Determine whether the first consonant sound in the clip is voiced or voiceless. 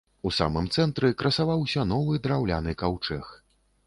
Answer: voiceless